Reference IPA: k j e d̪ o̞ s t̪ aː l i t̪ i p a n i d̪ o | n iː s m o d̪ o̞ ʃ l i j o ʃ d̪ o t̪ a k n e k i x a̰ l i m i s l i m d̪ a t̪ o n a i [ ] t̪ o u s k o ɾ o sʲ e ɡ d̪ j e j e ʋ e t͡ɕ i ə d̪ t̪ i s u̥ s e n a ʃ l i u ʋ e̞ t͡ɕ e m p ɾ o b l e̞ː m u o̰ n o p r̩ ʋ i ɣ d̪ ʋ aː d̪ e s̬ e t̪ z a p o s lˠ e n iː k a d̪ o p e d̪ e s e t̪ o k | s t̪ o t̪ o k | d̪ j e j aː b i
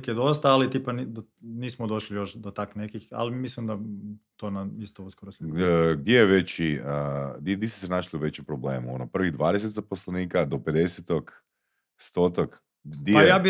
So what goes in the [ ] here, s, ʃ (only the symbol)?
s